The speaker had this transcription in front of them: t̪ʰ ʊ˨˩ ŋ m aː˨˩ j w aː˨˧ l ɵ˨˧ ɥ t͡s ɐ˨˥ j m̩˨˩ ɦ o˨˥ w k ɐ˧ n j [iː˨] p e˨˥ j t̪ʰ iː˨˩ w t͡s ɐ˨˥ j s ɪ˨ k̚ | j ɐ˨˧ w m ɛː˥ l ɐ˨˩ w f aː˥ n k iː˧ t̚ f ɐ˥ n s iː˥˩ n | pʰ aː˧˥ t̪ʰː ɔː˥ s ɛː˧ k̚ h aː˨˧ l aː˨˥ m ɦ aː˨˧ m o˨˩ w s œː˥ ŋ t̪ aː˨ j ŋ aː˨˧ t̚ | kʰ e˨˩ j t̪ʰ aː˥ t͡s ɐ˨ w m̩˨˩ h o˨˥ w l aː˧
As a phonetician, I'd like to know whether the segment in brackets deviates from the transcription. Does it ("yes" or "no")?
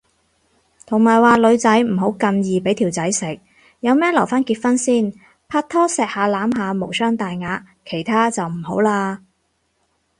no